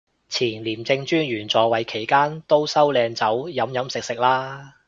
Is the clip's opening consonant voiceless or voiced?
voiceless